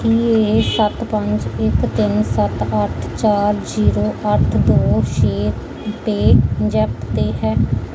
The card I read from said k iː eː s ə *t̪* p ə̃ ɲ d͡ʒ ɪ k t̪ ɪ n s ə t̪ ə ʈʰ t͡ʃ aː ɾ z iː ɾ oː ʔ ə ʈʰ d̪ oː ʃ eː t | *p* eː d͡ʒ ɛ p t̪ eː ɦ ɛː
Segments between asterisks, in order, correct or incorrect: correct, correct

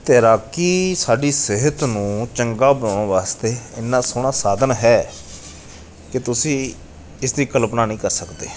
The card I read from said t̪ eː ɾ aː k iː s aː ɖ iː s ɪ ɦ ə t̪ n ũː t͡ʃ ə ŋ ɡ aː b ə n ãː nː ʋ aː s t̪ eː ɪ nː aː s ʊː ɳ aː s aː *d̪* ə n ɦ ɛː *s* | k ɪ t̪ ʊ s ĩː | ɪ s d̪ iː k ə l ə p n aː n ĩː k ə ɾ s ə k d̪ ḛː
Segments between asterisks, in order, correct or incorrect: correct, incorrect: none

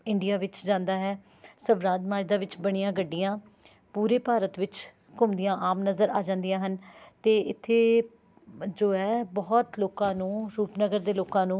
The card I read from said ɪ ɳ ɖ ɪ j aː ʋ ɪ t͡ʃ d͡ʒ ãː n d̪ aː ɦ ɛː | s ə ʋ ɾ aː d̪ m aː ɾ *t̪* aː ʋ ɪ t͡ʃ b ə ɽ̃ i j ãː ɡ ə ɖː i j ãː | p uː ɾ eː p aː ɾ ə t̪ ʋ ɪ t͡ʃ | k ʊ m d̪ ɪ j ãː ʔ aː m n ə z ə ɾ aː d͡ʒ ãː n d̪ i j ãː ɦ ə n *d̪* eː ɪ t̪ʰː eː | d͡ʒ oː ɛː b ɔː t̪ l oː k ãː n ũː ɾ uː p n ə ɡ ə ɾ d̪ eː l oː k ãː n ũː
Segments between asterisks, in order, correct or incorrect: incorrect: d̪, incorrect: t̪

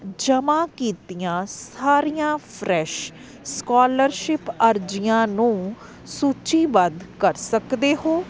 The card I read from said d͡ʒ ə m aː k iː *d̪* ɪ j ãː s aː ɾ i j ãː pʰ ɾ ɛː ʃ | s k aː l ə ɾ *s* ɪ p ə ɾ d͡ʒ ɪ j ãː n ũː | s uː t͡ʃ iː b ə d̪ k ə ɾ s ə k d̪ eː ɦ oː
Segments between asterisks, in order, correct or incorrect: incorrect: t̪, incorrect: ʃ

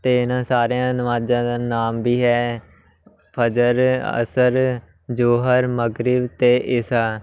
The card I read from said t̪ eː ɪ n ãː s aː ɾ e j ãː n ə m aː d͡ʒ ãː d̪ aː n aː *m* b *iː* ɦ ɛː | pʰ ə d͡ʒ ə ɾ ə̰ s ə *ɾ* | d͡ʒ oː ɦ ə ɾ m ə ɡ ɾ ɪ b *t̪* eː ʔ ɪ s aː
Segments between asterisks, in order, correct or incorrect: correct, correct, correct, correct

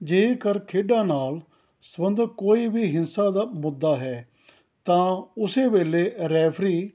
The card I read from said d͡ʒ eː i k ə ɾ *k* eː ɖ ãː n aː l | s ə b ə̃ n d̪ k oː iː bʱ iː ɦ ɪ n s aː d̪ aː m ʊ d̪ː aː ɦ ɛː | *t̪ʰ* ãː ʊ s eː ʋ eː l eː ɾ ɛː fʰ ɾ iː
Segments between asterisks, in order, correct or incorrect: incorrect: kʰ, incorrect: t̪

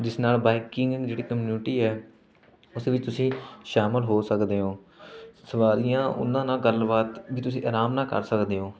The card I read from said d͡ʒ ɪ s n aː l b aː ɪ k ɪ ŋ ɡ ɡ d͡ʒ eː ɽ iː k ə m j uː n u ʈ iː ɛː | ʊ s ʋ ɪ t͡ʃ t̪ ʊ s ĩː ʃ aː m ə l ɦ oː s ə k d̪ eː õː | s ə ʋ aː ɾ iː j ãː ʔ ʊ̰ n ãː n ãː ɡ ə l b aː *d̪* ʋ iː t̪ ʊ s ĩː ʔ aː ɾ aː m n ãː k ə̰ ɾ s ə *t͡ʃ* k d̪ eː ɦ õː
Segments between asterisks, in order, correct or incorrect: incorrect: t̪, incorrect: none

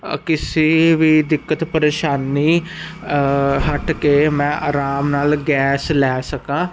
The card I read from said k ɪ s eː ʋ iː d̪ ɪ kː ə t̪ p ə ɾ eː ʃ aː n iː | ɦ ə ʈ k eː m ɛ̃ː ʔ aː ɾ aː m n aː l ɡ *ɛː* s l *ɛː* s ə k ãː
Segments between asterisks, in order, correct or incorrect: correct, correct

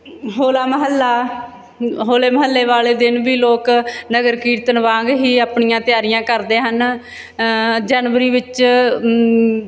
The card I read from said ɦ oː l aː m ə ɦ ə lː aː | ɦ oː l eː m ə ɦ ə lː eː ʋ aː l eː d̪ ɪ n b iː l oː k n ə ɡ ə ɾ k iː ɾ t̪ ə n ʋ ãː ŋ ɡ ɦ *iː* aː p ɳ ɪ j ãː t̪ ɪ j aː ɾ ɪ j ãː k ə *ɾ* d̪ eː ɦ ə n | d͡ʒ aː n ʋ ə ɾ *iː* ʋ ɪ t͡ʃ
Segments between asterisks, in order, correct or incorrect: correct, correct, correct

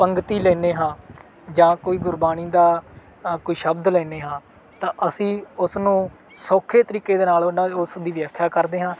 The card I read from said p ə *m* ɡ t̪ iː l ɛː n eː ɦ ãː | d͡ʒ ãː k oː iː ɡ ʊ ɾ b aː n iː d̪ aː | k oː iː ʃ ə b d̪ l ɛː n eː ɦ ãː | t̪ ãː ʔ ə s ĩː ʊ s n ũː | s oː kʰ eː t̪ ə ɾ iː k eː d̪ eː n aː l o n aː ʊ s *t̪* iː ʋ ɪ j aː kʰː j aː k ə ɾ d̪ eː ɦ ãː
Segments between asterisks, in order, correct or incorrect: incorrect: ŋ, incorrect: d̪

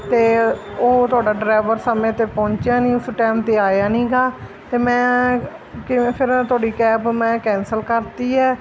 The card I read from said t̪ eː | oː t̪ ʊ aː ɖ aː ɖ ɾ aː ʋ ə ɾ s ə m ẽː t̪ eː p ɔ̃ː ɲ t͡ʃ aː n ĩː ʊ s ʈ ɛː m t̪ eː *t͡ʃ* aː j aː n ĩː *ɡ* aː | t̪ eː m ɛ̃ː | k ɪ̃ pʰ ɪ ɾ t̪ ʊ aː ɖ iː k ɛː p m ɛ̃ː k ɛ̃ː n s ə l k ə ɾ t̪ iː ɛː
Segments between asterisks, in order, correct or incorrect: incorrect: none, correct

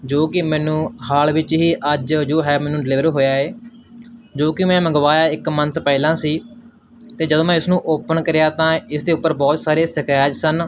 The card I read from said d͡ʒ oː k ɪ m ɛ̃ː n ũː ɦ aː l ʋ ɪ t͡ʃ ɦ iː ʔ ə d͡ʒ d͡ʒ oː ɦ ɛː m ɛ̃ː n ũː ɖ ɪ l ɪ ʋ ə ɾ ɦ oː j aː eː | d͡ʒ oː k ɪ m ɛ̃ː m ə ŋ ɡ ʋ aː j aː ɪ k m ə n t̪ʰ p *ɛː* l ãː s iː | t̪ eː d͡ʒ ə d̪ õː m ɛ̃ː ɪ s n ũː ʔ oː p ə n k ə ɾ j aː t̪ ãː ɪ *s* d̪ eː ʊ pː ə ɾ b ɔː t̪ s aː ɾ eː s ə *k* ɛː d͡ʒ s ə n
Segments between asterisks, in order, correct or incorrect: correct, correct, correct

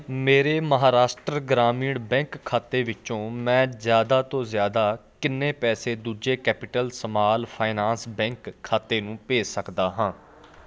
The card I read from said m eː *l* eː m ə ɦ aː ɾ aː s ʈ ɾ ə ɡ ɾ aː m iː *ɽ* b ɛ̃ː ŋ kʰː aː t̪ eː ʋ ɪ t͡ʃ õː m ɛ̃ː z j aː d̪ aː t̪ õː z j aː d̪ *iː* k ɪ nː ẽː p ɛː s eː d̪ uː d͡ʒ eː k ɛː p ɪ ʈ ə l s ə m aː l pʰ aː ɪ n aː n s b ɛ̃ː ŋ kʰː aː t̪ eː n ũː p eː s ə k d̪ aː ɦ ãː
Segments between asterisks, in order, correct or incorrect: incorrect: ɾ, correct, incorrect: aː

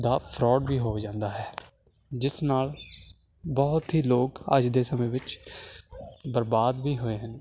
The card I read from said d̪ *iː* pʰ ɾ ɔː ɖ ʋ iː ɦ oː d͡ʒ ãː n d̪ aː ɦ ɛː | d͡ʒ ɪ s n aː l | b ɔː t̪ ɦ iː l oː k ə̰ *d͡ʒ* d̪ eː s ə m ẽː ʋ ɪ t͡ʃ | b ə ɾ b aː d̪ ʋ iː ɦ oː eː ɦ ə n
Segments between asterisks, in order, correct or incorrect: incorrect: aː, correct

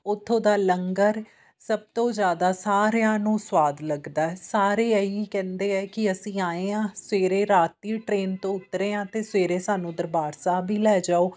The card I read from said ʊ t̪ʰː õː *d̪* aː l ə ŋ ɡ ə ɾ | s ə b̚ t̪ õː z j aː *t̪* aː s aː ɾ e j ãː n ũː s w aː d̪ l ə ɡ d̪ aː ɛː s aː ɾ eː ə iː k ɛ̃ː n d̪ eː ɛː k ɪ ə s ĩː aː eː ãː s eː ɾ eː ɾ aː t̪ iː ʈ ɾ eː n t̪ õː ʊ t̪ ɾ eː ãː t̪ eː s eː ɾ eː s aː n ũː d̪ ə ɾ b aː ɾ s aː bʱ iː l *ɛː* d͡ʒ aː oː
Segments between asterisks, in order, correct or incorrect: correct, incorrect: d̪, correct

